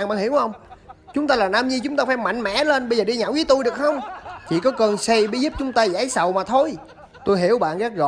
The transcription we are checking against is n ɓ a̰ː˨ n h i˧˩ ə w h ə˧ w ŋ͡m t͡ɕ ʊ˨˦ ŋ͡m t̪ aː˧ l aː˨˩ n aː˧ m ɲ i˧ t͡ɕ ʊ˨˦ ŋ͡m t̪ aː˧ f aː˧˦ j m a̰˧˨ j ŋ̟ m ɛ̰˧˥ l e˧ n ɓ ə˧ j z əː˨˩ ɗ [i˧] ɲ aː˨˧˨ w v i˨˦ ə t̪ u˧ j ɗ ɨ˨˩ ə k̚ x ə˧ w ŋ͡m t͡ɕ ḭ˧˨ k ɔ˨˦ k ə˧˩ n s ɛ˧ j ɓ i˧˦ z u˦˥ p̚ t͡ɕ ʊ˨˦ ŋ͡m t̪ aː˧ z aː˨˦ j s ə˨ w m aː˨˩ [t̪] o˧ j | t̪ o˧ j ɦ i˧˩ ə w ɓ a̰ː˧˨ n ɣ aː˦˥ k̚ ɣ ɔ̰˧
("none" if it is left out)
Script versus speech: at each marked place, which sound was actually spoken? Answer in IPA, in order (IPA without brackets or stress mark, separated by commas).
i˧, t̪ʰ